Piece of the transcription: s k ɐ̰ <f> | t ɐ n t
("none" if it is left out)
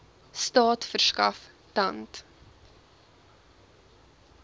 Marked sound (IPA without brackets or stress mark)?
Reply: f